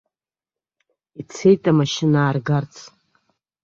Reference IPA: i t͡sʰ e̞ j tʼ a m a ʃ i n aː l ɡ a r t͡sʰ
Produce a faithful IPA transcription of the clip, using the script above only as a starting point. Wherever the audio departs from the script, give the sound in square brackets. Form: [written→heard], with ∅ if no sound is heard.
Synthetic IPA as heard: i t͡sʰ e̞ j tʼ a m a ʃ [i→ɪ] n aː [l→r] ɡ a r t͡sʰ